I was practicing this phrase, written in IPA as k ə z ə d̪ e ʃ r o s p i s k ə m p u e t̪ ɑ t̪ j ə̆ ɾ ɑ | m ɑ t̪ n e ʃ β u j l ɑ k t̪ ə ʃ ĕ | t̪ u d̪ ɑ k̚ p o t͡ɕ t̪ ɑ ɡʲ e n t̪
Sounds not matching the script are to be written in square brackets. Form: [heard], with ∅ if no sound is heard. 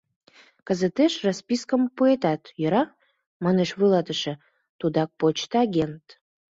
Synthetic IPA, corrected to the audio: k ə z ə [t̪] e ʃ r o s p i s k ə m p u e t̪ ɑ t̪ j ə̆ ɾ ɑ | m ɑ [∅] n e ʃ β u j l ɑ [∅] t̪ ə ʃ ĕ | t̪ u d̪ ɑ k̚ p o t͡ɕ t̪ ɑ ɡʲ e n t̪